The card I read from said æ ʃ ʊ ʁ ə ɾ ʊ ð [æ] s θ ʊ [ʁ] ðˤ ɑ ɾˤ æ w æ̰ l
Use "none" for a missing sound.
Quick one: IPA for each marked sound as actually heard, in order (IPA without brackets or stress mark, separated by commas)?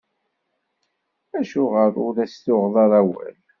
æ, ʁ